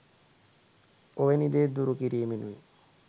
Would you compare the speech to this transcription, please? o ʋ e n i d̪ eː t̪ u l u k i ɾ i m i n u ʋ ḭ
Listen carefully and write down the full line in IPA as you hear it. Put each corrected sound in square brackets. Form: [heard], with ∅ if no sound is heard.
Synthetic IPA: o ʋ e n i d̪ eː [d̪] u [ɾ] u k i ɾ [iː] m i n u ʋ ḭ